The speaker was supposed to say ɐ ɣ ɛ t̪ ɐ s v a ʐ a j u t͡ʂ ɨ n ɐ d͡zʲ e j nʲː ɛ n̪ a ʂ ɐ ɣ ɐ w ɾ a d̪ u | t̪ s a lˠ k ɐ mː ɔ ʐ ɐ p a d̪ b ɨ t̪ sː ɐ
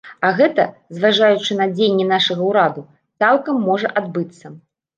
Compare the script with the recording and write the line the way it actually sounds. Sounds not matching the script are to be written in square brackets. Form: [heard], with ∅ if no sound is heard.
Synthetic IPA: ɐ ɣ ɛ t̪ ɐ [z] v a ʐ a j u t͡ʂ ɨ n ɐ d͡zʲ e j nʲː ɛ n̪ a ʂ ɐ ɣ ɐ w ɾ a d̪ u | t̪ s a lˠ k ɐ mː ɔ ʐ ɐ [ʔ] a d̪ b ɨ t̪ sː ɐ